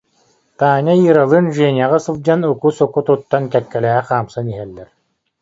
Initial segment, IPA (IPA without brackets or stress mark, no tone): t̪